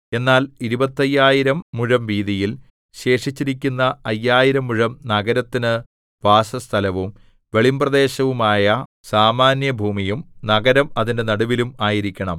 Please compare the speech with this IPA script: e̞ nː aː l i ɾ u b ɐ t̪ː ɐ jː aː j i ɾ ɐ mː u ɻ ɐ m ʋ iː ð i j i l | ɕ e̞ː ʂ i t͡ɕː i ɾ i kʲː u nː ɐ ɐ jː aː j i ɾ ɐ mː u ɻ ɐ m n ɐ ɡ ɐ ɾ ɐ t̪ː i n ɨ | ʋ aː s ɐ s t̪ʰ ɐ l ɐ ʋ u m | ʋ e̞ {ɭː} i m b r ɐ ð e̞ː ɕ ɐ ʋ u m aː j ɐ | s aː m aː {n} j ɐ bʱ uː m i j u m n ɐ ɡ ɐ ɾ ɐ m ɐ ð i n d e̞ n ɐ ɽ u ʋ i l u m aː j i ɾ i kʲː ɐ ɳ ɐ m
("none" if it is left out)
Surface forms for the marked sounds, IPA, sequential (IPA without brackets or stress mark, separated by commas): ɭ, n